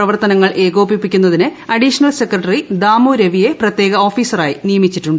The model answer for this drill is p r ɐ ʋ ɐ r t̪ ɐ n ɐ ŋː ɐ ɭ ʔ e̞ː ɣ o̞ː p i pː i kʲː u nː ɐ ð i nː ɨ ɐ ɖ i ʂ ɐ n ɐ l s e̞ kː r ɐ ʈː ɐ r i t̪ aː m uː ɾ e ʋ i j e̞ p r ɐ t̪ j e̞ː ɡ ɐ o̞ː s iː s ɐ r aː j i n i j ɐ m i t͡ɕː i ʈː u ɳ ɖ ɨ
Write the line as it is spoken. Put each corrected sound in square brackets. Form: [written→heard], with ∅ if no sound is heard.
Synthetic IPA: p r ɐ ʋ ɐ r t̪ ɐ n ɐ ŋː ɐ ɭ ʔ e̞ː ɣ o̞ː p i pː i kʲː u nː ɐ ð i [nː→n] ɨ ɐ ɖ i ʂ ɐ n ɐ l s e̞ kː r ɐ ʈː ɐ r i [t̪→d̪] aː m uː ɾ e ʋ i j e̞ p r ɐ t̪ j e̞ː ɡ ɐ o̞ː [s→f] iː s ɐ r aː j i n i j ɐ m i t͡ɕː i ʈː u ɳ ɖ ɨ